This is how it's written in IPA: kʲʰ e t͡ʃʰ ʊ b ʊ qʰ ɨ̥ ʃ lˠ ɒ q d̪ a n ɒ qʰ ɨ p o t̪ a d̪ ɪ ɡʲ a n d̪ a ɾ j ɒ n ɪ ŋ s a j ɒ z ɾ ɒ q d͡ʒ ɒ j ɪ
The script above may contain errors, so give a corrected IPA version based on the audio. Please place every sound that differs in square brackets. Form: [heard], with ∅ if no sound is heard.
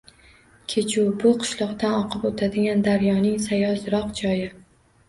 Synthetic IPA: kʲʰ e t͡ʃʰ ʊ b ʊ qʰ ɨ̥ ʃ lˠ ɒ q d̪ a n ɒ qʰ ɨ p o [t̪ʰ] a d̪ ɪ ɡʲ a n d̪ a ɾ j ɒ n ɪ ŋ s a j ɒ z ɾ ɒ q d͡ʒ ɒ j ɪ